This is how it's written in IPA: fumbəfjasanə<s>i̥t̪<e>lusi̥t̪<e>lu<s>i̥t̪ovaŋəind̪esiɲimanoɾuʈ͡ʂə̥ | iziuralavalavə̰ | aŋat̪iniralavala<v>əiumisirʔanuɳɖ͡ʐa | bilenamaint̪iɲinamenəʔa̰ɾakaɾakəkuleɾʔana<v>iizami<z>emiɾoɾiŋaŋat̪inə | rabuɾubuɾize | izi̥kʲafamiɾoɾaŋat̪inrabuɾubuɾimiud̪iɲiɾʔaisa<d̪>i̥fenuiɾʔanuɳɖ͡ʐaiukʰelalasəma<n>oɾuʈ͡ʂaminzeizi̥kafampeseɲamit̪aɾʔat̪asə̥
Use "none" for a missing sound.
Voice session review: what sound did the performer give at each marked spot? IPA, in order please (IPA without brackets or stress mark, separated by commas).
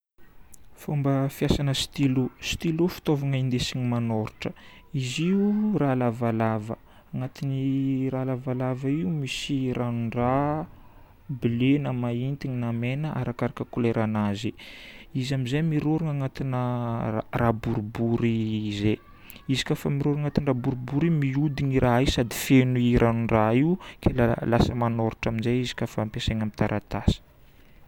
s, i, i, f, v, z, z, d̪, n